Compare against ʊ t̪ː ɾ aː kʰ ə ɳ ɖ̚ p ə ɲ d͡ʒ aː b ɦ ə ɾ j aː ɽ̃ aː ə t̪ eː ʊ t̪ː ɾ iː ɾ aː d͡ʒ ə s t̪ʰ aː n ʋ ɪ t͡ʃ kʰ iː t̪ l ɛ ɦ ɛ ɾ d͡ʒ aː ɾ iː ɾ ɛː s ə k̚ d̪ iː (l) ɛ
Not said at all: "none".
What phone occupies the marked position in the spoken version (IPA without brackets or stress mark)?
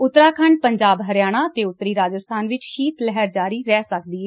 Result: none